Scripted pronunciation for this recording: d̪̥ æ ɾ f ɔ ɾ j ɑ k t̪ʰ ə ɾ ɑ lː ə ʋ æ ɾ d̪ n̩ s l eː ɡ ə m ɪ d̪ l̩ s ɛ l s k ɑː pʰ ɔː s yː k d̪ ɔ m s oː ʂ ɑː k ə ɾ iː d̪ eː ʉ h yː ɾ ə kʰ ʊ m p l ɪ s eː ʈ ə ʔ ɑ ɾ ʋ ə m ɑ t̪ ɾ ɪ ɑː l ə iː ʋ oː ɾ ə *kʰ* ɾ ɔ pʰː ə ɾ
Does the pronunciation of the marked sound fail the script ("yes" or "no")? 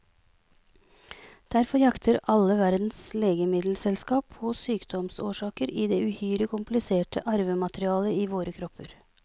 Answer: no